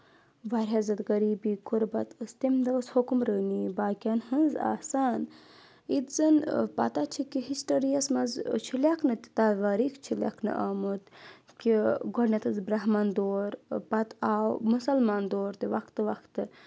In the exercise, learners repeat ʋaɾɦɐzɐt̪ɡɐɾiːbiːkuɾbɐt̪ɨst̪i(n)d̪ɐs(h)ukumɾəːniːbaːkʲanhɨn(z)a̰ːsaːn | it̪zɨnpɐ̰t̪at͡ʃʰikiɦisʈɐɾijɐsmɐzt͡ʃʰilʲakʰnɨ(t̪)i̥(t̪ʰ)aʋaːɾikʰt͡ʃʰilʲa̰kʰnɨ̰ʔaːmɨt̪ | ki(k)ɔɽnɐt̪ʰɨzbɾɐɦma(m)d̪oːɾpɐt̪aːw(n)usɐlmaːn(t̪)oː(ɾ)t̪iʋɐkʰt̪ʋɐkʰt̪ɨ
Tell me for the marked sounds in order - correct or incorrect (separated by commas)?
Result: incorrect, correct, correct, correct, incorrect, incorrect, incorrect, incorrect, incorrect, correct